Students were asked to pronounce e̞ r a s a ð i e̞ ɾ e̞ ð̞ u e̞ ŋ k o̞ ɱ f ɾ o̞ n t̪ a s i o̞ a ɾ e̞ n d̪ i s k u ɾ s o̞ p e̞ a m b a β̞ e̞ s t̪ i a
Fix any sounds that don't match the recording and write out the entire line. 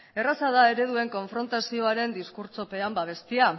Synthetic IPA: e̞ r a s a ð a e̞ ɾ e̞ ð̞ u e̞ ŋ k o̞ ɱ f ɾ o̞ n t̪ a s i o̞ a ɾ e̞ n d̪ i s k u ɾ t͡s o̞ p e̞ a m b a β̞ e̞ s t̪ i a